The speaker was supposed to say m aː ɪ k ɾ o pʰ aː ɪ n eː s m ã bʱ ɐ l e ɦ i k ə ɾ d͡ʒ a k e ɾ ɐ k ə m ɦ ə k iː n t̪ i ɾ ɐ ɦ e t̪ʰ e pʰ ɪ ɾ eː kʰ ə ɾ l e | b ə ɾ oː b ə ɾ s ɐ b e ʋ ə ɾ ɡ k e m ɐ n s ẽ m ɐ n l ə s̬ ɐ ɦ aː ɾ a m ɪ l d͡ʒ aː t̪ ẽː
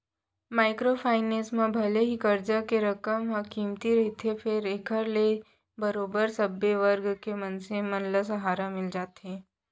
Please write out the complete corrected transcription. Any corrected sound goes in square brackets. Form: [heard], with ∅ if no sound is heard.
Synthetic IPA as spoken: m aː ɪ k ɾ o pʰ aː ɪ n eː s m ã bʱ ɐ l e ɦ i k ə ɾ d͡ʒ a k e ɾ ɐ k ə m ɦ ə k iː [m] t̪ i ɾ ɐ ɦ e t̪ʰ e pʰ ɪ ɾ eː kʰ ə ɾ l e | b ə ɾ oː b ə ɾ s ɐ b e ʋ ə ɾ ɡ k e m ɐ n s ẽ m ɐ n l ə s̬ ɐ ɦ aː ɾ a m ɪ l d͡ʒ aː t̪ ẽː